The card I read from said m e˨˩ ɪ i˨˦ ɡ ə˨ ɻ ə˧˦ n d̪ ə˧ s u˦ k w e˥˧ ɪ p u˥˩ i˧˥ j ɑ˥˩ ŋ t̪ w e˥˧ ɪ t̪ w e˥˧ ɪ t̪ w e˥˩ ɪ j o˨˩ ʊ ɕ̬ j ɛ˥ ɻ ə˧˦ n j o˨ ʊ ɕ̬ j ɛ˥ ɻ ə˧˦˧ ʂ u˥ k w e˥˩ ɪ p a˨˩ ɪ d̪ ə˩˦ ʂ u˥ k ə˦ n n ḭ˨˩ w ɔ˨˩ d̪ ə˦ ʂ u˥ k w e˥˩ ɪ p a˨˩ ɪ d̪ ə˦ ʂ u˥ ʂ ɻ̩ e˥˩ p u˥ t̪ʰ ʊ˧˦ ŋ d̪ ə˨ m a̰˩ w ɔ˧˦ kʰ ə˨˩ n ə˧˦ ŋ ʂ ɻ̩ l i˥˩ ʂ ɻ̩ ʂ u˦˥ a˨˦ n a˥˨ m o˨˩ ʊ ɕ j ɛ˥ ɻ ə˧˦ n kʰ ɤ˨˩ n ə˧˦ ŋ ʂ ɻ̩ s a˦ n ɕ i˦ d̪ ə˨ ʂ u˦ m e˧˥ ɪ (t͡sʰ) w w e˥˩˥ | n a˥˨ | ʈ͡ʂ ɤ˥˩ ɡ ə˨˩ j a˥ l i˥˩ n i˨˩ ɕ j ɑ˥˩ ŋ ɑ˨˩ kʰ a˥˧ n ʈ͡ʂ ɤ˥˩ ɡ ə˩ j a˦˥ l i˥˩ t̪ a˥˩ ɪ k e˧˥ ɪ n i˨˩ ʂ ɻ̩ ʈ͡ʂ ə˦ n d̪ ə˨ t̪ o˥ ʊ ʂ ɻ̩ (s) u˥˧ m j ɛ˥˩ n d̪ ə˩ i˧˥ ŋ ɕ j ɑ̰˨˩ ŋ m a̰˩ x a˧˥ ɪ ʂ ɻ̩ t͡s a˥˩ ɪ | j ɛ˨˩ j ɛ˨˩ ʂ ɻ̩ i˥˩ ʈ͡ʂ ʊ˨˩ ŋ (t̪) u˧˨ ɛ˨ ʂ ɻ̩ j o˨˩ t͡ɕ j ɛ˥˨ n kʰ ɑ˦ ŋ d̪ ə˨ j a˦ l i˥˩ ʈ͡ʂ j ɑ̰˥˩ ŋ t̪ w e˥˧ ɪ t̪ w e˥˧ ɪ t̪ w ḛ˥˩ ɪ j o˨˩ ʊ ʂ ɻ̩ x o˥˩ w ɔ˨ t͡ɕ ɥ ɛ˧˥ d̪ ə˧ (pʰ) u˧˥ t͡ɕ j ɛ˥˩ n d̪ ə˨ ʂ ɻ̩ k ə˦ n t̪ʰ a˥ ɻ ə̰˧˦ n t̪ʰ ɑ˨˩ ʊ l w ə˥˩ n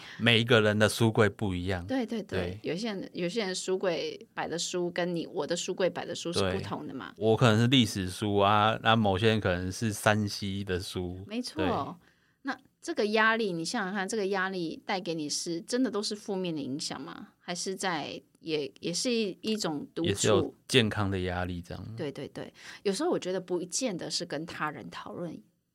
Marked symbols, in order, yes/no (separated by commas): yes, no, yes, no